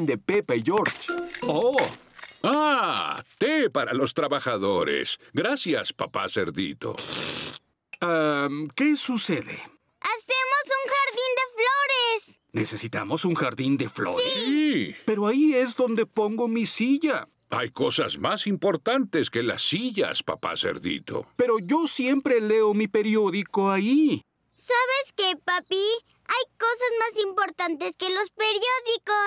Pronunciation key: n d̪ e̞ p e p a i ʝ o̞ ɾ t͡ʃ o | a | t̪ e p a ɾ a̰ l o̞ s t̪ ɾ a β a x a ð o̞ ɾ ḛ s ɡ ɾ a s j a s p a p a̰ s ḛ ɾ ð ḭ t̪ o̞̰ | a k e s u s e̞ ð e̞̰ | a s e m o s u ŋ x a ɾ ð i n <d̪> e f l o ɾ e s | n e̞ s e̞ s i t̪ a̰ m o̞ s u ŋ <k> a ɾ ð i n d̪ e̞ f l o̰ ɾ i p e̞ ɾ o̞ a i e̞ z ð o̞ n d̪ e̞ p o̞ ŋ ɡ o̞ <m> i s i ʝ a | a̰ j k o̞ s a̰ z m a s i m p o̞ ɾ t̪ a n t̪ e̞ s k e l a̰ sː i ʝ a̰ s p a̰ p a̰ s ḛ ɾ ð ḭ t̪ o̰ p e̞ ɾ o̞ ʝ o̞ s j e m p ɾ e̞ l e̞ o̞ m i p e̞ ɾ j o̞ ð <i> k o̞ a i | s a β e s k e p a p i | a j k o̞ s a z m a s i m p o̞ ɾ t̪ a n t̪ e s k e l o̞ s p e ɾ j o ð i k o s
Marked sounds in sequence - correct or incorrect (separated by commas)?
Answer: correct, incorrect, correct, correct